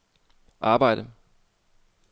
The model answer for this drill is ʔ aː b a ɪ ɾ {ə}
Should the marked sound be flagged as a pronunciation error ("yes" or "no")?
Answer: no